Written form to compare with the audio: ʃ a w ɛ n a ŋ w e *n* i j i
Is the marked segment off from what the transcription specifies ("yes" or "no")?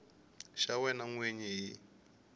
yes